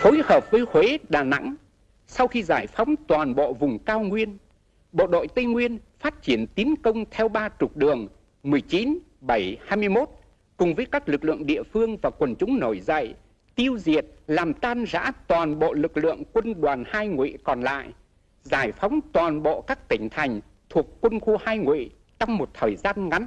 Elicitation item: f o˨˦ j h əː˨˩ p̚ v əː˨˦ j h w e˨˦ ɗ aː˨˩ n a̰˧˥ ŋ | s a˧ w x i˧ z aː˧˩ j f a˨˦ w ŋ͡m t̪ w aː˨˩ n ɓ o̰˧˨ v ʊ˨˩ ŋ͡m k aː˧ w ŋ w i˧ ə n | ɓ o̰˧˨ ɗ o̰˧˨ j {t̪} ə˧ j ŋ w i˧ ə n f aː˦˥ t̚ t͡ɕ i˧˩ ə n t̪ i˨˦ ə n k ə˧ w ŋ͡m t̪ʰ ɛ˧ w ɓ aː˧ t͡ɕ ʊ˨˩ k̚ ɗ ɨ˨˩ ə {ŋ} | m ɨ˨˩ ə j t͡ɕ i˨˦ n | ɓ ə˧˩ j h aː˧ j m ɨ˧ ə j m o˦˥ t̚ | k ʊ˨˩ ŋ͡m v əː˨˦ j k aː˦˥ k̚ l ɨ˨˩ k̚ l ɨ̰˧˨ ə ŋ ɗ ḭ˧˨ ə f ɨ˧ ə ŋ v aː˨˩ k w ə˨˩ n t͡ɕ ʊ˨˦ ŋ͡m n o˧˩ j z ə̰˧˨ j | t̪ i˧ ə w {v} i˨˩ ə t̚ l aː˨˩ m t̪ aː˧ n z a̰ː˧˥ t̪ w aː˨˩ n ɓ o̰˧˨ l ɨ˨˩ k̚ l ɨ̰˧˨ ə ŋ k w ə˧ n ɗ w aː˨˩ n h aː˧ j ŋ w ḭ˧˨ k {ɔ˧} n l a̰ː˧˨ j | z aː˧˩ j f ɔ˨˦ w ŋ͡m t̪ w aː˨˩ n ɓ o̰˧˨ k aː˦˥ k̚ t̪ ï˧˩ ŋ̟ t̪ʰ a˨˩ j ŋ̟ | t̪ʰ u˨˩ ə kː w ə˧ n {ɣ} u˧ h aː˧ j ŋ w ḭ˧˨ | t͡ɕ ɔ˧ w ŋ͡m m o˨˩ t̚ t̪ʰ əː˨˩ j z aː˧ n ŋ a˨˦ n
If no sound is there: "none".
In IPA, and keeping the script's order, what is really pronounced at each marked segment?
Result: t̪, ŋ, z, ɔ˨˩, x

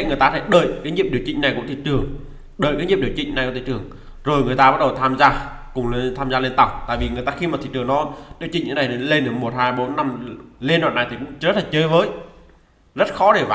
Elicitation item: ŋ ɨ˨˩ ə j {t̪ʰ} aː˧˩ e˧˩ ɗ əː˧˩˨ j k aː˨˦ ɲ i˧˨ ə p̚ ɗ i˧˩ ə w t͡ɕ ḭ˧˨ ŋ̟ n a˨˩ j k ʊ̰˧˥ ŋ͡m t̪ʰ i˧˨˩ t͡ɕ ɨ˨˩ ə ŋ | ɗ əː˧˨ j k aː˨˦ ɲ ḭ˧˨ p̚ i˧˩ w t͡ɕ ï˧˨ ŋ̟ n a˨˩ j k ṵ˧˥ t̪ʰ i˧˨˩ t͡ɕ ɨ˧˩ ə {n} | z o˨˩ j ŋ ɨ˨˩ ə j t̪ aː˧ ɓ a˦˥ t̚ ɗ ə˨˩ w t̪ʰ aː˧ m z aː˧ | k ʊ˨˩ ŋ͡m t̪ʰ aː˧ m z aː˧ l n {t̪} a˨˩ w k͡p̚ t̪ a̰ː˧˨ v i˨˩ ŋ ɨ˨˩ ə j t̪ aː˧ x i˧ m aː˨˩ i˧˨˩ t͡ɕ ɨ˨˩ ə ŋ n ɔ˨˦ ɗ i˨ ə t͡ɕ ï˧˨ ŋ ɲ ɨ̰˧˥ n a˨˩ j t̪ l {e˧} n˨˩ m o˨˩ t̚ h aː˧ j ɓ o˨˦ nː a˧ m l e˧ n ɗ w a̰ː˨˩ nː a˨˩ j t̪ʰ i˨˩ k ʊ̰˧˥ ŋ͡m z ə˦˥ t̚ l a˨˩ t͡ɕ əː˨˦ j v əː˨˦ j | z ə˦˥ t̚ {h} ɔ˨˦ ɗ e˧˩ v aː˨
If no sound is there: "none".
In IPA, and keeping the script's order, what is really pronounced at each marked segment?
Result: t̪, ŋ, t̪, e˧, x

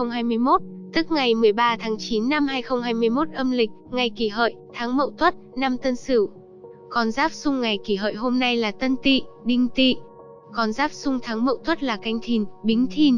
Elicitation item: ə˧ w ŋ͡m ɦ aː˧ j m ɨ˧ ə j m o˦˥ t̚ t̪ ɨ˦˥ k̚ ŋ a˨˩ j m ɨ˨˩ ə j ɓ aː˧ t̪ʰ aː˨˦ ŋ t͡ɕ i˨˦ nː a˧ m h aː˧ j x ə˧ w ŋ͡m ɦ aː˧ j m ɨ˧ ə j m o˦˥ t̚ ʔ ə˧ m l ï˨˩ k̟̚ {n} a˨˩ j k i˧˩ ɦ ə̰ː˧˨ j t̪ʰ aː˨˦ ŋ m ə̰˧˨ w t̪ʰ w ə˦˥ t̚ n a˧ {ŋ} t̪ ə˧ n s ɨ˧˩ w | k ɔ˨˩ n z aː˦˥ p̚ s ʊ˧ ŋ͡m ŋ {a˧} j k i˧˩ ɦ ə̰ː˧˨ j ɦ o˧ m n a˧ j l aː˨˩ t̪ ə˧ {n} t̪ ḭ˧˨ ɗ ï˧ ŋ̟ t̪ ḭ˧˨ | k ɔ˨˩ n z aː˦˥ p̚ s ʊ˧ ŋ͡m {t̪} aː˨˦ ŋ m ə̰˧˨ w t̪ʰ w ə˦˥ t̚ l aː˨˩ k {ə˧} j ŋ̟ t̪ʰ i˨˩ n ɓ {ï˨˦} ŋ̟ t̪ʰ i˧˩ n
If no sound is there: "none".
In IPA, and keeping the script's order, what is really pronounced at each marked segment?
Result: ŋ, m, a˨˩, n, t̪ʰ, a˧, ï˨˦

